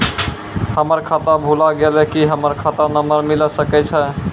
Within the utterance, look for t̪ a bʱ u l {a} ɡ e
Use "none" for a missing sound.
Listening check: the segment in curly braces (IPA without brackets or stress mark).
a